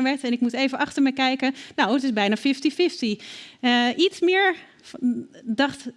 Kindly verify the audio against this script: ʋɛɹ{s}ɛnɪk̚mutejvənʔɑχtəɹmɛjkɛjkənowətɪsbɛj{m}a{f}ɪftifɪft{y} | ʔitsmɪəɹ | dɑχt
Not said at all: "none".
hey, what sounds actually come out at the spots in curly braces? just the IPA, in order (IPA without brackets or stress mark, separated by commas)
t, n, f, i